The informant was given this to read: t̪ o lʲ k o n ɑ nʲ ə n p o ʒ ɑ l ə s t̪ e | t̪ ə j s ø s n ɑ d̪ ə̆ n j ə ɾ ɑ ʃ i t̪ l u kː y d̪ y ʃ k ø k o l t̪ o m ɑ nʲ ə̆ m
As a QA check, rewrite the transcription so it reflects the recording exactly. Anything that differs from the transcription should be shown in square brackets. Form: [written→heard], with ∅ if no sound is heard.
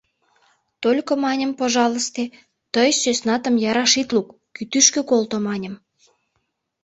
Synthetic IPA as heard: t̪ o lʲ k o [n→m] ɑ nʲ ə [n→m] p o ʒ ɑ l ə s t̪ e | t̪ ə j s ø s n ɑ [d̪→t̪] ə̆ [n→m] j [ə→ɑ] ɾ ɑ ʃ i t̪ l u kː y [d̪→t̪] y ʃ k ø k o l t̪ o m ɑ nʲ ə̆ m